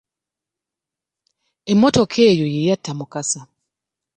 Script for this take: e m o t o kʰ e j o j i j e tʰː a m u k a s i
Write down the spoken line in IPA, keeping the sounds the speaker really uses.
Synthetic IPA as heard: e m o t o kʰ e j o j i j a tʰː a m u k a s a